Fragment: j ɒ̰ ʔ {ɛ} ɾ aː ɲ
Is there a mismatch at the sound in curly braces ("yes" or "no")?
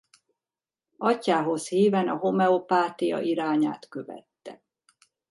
yes